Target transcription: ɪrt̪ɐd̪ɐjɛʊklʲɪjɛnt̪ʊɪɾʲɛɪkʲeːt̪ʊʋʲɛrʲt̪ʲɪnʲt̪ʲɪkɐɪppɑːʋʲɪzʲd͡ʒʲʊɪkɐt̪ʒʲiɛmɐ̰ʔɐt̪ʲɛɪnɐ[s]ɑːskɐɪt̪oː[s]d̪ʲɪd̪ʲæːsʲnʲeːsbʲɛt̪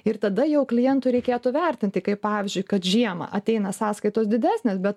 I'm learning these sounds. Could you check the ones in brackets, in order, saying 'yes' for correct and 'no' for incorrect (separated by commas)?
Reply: yes, yes